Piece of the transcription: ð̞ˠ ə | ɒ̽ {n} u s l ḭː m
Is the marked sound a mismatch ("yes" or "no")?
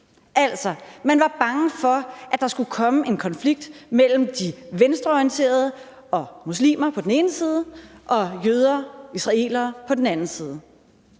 yes